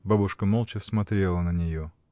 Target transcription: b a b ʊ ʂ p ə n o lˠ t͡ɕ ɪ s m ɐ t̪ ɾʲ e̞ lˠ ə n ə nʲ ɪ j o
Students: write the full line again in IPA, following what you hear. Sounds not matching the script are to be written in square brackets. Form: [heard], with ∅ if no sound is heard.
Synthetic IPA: b a b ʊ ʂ [k] ə [m] o lˠ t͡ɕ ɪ s m ɐ t̪ ɾʲ e̞ lˠ ə n ə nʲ ɪ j o

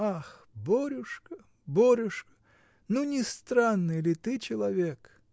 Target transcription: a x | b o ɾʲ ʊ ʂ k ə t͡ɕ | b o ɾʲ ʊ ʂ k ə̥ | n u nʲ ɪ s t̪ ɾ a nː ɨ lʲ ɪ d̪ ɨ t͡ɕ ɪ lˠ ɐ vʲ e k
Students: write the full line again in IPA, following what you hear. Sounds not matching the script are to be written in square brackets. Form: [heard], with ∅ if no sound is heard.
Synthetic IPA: a x | b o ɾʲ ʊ ʂ k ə [∅] | b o ɾʲ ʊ ʂ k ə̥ | n u nʲ ɪ s t̪ ɾ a nː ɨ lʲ ɪ [t̪] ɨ t͡ɕ ɪ lˠ ɐ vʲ e k

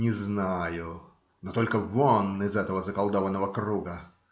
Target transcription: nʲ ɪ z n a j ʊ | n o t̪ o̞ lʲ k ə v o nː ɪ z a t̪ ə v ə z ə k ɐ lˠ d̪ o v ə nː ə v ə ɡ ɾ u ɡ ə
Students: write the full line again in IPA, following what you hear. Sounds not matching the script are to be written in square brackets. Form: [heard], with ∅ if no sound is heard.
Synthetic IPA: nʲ ɪ z n a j ʊ | n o t̪ o̞ lʲ k ə v o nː ɪ z [ɛ] t̪ ə v ə z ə k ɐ lˠ d̪ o v ə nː ə v ə [k] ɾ u ɡ ə

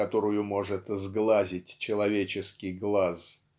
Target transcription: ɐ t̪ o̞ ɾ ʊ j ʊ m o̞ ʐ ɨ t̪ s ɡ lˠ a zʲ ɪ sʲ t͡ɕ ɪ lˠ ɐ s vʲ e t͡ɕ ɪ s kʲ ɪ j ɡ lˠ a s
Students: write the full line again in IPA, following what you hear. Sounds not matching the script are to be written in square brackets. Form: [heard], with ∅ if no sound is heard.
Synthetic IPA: ɐ t̪ o̞ ɾ ʊ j ʊ m o̞ ʐ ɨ t̪ [z] ɡ lˠ a zʲ ɪ [tʲ] t͡ɕ ɪ lˠ ɐ [∅] vʲ e t͡ɕ ɪ s kʲ ɪ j ɡ lˠ a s

